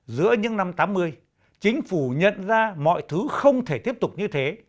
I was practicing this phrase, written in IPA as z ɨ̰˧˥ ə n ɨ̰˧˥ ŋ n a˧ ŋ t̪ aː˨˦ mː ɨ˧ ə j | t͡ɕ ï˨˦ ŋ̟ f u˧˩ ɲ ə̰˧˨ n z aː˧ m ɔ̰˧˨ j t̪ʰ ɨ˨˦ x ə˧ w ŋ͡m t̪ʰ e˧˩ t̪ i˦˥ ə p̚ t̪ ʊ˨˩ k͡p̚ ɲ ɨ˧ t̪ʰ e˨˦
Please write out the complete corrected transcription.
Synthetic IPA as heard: z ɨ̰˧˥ ə ɲ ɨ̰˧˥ ŋ n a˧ m t̪ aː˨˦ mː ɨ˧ ə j | t͡ɕ ï˨˦ ŋ̟ f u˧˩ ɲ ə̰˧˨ n z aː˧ m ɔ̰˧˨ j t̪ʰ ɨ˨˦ x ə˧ w ŋ͡m t̪ʰ e˧˩ t̪ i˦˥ ə p̚ t̪ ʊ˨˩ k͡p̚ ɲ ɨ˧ t̪ʰ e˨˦